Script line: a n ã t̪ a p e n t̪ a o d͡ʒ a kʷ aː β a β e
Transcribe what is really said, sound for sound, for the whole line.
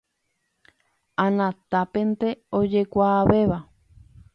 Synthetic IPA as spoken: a n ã t̪ a p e n t̪ e o d͡ʒ e kʷ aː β e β a